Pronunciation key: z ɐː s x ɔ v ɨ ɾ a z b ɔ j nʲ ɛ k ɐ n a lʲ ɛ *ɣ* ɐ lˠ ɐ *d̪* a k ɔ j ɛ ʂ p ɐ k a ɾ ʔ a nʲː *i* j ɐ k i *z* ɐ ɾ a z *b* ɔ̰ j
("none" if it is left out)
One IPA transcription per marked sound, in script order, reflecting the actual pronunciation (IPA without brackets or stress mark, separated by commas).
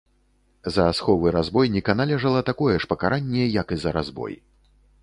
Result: ʐ, t̪, ɛ, z, b